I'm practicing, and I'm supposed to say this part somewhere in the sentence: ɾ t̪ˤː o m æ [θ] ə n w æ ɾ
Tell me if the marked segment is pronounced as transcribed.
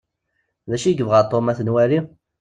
yes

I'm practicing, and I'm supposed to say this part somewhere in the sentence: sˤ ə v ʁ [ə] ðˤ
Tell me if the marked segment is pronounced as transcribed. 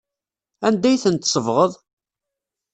yes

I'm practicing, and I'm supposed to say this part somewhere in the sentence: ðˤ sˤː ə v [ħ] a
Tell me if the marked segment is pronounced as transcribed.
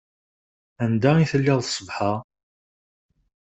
yes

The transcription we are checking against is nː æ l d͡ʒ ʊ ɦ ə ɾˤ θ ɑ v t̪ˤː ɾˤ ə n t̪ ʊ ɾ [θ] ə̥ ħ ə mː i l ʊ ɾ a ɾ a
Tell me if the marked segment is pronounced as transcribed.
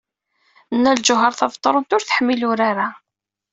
yes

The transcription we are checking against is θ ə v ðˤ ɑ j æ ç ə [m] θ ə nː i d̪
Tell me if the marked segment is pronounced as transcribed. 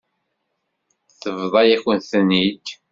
no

